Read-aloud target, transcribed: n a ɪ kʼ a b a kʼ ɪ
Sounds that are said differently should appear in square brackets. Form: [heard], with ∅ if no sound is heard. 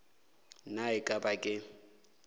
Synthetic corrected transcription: n a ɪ kʼ a b a kʼ ɪ